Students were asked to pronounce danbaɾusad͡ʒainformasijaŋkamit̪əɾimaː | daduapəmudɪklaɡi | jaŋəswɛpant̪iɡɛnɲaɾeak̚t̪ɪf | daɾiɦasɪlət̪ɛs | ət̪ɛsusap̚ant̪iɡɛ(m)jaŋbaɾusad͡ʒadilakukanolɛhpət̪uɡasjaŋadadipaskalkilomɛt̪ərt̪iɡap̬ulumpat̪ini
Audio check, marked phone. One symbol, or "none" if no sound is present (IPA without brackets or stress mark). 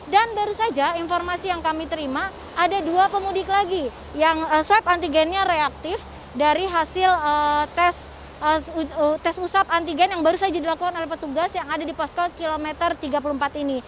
n